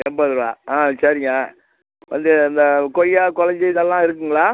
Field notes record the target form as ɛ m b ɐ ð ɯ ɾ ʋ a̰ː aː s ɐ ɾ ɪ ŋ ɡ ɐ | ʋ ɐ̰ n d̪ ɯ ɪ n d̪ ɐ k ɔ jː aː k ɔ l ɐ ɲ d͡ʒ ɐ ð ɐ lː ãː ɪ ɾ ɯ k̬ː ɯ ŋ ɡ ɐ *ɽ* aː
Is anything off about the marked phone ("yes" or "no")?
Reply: yes